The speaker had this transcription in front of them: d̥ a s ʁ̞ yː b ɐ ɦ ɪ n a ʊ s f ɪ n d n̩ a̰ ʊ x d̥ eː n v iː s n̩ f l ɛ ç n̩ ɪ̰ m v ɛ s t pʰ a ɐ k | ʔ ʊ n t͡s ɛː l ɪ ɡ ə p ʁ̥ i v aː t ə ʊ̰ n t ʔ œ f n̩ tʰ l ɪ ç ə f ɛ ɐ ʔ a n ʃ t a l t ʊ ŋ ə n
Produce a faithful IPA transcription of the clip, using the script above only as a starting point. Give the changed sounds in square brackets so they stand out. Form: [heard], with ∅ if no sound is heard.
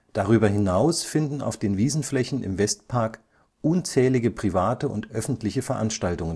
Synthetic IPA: d̥ a [∅] ʁ̞ yː b ɐ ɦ ɪ n a ʊ s f ɪ n d n̩ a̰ ʊ [f] d̥ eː n v iː [z] n̩ f l ɛ ç n̩ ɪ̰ m v ɛ s t pʰ a ɐ k | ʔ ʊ n t͡s ɛː l ɪ ɡ ə p ʁ̥ i v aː t ə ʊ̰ n t ʔ œ f n̩ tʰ l ɪ ç ə f ɛ ɐ ʔ a n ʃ t a l t ʊ ŋ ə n